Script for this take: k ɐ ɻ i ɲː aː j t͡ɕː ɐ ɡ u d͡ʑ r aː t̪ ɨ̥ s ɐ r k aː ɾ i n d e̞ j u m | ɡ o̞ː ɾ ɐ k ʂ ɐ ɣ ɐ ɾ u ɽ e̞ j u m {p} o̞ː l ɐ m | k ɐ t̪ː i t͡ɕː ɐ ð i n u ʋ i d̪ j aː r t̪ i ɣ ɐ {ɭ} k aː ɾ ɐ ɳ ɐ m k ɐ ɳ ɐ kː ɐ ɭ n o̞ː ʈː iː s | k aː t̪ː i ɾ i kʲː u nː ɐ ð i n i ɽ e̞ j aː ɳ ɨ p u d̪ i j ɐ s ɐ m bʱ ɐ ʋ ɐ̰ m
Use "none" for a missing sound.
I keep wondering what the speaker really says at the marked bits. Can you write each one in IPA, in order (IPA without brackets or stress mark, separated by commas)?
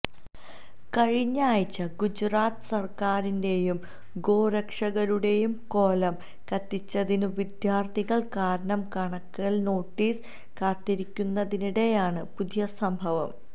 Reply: k, ɭ